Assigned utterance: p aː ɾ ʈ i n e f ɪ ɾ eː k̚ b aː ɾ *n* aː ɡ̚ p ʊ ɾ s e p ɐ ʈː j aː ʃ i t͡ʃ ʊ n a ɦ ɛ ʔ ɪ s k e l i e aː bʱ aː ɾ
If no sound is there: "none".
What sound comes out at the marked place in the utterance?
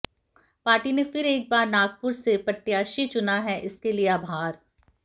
n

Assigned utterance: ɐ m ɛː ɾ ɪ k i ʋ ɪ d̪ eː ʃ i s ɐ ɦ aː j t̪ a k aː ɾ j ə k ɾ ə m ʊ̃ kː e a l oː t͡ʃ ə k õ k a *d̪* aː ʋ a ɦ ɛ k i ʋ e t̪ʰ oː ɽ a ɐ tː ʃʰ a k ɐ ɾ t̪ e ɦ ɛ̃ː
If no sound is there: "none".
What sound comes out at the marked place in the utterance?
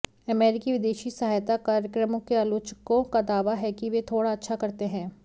d̪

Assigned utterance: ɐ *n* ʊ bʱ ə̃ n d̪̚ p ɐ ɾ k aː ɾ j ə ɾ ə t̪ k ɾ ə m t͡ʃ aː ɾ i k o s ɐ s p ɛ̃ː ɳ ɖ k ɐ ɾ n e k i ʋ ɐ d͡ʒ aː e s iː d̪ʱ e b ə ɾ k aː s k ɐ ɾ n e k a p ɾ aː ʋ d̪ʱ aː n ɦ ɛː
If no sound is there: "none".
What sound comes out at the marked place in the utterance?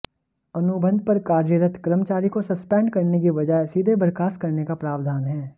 n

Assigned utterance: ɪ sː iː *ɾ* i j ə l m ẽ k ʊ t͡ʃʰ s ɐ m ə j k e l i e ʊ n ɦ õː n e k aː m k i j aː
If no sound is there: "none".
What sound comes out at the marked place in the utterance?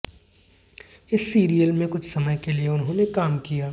ɾ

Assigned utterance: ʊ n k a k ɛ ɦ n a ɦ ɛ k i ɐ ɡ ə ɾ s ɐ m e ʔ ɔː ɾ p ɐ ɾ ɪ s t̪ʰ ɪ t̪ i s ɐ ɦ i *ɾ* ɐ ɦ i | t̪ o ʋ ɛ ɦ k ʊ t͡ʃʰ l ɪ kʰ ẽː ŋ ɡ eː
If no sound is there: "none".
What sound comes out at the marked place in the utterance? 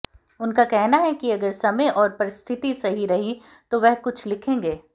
ɾ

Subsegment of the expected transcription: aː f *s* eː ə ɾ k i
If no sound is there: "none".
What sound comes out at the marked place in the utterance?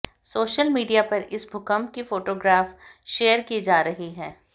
ʃ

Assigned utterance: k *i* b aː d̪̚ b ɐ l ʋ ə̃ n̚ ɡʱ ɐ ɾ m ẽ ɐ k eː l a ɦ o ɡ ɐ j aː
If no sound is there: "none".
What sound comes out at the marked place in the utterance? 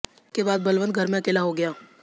e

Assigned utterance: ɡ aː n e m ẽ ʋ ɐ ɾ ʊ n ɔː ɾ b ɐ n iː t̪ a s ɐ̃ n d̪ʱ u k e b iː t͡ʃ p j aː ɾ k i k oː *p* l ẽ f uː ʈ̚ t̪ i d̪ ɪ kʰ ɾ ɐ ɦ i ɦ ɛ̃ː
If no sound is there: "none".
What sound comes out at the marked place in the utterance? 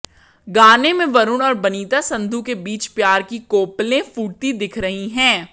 p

